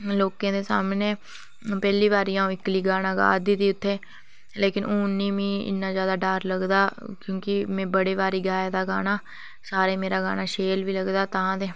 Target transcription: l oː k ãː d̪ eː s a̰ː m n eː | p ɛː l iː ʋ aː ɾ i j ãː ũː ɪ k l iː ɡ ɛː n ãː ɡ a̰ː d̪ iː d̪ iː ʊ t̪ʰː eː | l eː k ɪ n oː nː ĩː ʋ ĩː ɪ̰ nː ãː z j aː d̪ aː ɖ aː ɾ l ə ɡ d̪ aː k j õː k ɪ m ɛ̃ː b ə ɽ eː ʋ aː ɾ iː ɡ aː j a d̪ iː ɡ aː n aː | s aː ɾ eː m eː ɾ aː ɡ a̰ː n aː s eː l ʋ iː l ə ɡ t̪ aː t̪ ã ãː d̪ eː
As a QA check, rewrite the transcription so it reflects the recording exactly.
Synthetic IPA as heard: l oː k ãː d̪ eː s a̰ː m n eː | p ɛː l iː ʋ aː ɾ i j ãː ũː ɪ k l iː ɡ aː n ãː ɡ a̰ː d̪ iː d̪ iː ʊ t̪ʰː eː | l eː k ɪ n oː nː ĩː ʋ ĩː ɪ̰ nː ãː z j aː d̪ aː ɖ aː ɾ l ə ɡ d̪ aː k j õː k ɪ m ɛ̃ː b ə ɽ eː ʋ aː ɾ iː ɡ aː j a d̪ aː ɡ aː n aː | s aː ɾ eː m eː ɾ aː ɡ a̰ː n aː ʃ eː l ʋ iː l ə ɡ d̪ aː t̪ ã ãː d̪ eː